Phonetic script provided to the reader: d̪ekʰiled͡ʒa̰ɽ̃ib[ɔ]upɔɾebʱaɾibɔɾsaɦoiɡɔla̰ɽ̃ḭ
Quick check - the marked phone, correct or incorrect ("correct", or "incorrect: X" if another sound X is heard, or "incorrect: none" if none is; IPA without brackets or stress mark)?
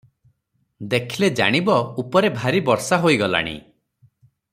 correct